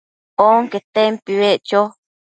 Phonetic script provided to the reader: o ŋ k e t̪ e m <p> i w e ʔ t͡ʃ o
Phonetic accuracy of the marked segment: correct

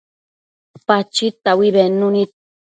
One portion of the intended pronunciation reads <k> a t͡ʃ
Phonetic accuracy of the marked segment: incorrect: p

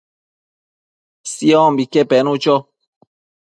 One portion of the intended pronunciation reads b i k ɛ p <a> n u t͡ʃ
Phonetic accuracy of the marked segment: incorrect: ɛ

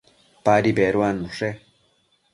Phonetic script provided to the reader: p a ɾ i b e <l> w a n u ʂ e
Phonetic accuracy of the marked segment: incorrect: ɾ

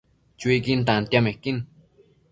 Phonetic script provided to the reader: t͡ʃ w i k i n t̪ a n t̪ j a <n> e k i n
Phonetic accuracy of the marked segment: incorrect: m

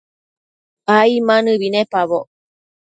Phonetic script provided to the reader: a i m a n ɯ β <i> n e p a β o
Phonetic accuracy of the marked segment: correct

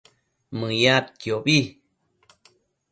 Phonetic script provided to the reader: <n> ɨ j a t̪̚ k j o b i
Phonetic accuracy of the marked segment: incorrect: m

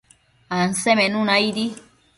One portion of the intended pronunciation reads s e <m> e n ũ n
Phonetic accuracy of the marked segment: correct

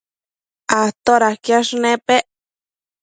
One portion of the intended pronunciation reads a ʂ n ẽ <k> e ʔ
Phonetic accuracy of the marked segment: incorrect: p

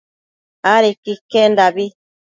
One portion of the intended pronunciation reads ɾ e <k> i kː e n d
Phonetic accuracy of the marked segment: correct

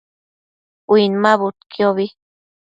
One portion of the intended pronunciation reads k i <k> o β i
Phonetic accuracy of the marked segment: incorrect: none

